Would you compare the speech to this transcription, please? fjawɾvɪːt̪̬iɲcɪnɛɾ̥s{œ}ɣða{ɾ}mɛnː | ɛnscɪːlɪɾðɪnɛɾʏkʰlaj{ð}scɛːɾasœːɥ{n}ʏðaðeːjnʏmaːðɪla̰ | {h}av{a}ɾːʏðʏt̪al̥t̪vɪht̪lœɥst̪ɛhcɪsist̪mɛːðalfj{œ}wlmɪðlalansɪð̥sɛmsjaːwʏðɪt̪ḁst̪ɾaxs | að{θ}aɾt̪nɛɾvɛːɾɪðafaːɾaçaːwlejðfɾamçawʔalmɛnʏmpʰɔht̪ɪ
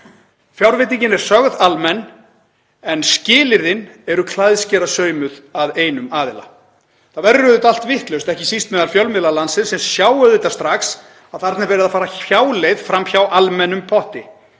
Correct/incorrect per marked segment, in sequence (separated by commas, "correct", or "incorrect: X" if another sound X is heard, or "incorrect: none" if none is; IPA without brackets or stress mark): correct, incorrect: l, correct, incorrect: m, incorrect: θ, incorrect: ɛ, correct, correct